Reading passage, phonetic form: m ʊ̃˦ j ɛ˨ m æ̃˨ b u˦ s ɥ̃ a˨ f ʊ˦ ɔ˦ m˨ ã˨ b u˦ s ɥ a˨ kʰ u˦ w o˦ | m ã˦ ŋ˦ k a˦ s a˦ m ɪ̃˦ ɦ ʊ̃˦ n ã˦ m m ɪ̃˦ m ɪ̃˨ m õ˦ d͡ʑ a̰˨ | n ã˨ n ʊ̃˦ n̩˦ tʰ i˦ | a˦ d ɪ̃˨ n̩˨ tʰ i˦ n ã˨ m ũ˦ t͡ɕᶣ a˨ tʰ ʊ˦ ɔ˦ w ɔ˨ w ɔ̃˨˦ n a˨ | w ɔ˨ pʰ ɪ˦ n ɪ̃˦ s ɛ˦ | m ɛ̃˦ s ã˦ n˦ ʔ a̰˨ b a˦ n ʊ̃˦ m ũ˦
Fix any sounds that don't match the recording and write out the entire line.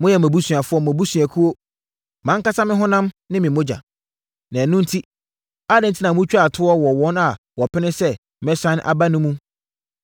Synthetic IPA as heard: m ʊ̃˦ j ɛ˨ m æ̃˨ b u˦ s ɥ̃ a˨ f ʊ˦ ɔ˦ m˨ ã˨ b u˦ s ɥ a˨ kʰ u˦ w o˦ | m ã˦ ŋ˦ k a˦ s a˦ m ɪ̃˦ ɦ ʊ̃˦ n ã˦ m n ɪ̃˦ m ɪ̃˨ m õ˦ d͡ʑ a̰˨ | n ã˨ n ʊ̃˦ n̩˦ tʰ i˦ | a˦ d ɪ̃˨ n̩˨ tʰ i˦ n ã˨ m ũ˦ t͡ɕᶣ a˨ tʰ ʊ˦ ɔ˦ w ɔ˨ w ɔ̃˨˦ n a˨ | w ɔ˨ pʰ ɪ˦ n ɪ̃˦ s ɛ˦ | m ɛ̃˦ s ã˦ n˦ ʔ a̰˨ b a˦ n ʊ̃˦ m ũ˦